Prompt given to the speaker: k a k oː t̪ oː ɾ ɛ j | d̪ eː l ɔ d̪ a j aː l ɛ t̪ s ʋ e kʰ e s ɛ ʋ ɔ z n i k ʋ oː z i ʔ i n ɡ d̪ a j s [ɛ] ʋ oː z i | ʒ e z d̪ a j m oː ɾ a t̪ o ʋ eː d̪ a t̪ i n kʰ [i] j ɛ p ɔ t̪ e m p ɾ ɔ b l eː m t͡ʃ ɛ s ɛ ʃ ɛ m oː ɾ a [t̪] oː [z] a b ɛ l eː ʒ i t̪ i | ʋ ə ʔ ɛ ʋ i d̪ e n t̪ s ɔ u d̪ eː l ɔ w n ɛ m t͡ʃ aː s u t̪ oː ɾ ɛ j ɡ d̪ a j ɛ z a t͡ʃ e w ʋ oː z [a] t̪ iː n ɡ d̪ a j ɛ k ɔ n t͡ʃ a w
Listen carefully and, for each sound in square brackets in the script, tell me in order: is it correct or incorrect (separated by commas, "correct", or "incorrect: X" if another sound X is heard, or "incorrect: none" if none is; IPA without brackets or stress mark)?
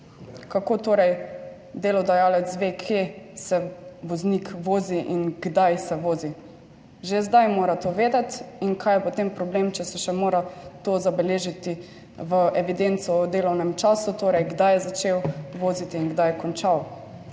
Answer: correct, incorrect: a, correct, correct, incorrect: i